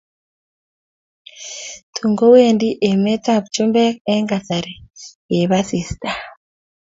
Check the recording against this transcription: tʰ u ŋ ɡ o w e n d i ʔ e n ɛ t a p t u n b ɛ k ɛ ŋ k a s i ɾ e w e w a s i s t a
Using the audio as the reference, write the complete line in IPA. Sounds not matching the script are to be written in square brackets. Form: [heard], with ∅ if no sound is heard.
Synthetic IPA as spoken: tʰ u ŋ ɡ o w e n d i ʔ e [m] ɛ t a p [t͡ʃ] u [m] b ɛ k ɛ ŋ [ɡ] a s [a] ɾ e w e [β] a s i s t a